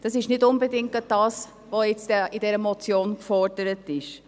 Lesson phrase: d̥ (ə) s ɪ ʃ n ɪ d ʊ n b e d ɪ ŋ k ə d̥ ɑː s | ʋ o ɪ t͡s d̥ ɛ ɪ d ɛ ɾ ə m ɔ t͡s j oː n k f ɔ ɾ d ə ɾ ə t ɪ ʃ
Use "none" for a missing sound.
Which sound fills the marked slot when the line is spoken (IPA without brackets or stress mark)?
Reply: ɑ